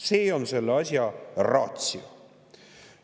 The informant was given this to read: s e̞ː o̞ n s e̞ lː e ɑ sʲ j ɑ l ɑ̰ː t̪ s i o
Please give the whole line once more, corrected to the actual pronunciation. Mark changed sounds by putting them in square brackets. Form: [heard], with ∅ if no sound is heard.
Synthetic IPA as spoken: s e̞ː o̞ n s e̞ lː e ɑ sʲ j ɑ [r] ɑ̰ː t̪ s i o

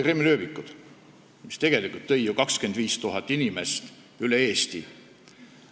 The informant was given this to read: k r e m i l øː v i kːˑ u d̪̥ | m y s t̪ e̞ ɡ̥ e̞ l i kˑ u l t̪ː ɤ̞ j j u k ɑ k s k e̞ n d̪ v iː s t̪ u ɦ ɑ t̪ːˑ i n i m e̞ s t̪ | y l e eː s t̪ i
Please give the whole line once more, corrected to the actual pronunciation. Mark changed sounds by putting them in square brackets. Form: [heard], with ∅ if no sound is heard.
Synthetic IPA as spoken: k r e m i l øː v i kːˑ u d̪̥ | m [i] s t̪ e̞ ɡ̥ e̞ l i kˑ u l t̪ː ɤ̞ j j u k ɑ k s k e̞ n d̪ v iː s t̪ u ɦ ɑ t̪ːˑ i n i m e̞ s t̪ | y l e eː s t̪ i

